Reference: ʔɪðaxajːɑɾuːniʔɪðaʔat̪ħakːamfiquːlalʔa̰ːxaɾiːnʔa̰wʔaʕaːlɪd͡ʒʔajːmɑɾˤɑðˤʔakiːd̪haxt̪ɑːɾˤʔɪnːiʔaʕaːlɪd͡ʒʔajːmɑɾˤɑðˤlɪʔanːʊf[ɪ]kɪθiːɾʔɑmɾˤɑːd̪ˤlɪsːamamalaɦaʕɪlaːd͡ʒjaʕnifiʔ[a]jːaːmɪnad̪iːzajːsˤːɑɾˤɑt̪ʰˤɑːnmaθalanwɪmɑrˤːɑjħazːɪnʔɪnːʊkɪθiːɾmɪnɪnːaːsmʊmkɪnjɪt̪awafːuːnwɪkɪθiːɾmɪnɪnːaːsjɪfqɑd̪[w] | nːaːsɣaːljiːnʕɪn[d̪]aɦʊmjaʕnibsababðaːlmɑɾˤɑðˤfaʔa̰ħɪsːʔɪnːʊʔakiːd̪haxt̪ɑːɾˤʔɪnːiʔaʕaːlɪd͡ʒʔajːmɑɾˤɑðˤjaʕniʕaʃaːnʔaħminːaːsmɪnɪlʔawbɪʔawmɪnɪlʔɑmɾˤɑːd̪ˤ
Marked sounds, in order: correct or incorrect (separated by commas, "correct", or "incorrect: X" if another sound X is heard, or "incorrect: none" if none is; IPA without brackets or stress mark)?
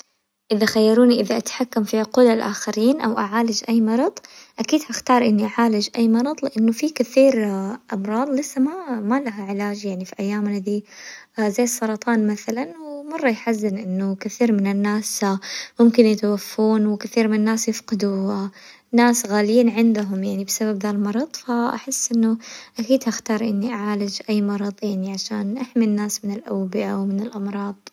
incorrect: i, correct, incorrect: u, correct